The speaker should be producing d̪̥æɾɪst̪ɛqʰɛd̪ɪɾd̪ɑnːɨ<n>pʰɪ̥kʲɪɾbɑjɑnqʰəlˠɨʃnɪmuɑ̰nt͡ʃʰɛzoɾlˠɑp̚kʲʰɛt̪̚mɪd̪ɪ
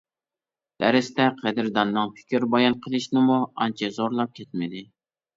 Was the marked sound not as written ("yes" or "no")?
yes